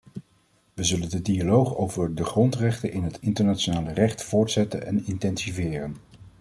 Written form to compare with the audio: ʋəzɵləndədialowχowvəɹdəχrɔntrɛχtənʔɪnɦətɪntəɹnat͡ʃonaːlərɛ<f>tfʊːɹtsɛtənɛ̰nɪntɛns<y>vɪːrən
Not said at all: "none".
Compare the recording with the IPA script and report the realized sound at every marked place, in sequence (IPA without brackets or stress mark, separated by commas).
χ, i